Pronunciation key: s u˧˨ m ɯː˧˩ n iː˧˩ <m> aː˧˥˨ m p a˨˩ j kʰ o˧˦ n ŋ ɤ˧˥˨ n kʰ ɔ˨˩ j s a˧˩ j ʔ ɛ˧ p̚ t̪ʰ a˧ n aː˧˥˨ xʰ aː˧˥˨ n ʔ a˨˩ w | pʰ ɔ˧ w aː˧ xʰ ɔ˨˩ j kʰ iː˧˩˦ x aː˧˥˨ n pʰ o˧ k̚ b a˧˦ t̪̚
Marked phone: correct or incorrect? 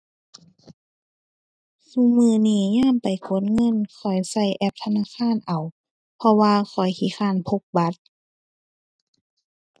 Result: incorrect: ɲ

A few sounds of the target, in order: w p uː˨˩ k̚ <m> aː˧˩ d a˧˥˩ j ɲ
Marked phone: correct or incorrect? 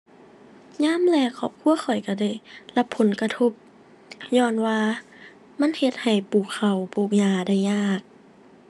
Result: incorrect: ɲ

